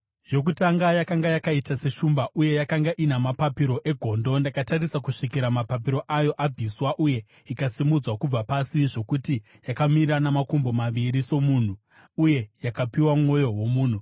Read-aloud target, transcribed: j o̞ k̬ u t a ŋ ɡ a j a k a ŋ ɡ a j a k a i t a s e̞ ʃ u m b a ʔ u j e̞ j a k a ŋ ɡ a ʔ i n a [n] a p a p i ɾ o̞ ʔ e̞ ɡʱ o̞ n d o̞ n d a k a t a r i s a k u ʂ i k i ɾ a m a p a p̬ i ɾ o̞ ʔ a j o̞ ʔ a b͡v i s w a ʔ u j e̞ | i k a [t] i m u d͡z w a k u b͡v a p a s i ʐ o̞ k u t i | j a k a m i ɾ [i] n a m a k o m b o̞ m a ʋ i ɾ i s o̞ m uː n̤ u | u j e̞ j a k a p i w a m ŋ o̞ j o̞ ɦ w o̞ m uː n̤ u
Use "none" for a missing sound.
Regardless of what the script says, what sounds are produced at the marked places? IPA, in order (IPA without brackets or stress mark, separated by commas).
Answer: m, s, a